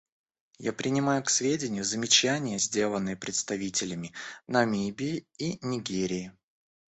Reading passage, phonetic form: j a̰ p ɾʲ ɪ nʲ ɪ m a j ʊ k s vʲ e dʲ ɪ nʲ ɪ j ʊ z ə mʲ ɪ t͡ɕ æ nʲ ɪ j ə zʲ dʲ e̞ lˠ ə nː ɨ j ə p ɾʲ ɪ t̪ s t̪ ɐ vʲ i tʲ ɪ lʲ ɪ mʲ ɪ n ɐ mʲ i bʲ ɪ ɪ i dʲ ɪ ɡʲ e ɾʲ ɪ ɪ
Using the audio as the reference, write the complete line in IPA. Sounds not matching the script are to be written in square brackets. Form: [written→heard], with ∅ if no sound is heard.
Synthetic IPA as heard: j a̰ p ɾʲ ɪ nʲ ɪ m a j ʊ k s vʲ e dʲ ɪ nʲ ɪ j ʊ z ə mʲ ɪ t͡ɕ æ nʲ ɪ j ə zʲ dʲ e̞ lˠ ə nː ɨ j ə p ɾʲ ɪ t̪ s t̪ ɐ vʲ i tʲ ɪ lʲ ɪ mʲ ɪ n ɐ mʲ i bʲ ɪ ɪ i [dʲ→nʲ] ɪ ɡʲ e ɾʲ ɪ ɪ